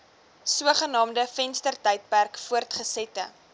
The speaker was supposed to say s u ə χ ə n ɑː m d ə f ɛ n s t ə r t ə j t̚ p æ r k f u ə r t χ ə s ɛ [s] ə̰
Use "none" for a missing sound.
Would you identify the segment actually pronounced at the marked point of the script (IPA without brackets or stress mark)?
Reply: t